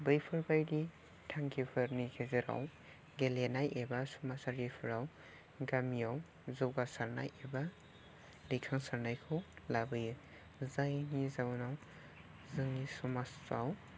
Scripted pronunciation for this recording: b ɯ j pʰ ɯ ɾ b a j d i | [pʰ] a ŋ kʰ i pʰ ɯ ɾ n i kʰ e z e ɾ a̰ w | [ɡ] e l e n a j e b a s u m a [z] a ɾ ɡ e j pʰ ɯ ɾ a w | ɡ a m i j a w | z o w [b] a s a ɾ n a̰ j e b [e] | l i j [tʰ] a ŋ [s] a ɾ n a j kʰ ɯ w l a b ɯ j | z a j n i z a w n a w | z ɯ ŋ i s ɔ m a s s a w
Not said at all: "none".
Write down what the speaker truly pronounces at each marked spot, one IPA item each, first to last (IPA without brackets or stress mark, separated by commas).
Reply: tʰ, ɡ, s, ɡ, a, kʰ, s